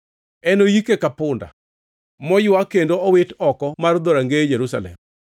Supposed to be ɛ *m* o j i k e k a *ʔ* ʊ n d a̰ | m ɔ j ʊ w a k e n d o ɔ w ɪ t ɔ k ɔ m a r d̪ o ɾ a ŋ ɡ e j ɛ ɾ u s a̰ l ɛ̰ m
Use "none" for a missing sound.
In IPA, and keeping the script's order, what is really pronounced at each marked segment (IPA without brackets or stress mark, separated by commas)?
n, p